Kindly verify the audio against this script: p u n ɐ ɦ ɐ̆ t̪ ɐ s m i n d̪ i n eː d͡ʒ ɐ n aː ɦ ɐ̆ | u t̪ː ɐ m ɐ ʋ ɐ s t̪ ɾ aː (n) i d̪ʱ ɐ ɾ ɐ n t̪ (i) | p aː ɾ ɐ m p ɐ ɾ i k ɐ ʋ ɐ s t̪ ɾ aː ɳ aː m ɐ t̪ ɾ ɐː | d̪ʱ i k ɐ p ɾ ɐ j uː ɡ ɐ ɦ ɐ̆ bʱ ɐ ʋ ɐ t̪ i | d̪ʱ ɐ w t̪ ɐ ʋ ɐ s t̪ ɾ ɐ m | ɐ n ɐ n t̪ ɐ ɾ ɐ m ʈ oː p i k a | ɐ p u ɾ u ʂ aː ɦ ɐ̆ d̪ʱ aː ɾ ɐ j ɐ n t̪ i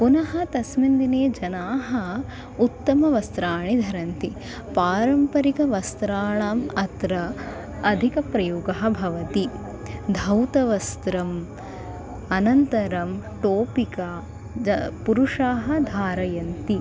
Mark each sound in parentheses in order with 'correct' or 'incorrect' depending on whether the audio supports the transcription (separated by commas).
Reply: incorrect, correct